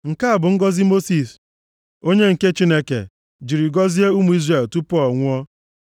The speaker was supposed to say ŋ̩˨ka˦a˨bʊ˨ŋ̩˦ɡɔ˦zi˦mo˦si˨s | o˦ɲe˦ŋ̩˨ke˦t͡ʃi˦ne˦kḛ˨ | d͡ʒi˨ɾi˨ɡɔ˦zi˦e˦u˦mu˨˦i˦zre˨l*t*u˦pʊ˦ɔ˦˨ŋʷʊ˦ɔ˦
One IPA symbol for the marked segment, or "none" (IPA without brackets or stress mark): t